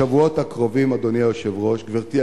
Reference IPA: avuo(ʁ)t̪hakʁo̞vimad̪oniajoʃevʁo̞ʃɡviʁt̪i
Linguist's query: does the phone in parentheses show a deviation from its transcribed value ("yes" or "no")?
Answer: yes